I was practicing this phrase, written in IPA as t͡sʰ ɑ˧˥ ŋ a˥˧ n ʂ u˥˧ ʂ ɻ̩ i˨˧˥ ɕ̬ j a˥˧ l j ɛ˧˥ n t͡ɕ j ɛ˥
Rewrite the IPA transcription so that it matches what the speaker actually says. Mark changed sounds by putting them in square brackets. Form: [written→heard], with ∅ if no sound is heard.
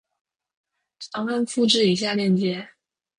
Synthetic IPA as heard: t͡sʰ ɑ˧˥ ŋ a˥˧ n [ʂ→f] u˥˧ [ʂ→ʈ͡ʂ] ɻ̩ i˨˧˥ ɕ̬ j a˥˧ l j [ɛ˧˥→ɛ˥˩] n t͡ɕ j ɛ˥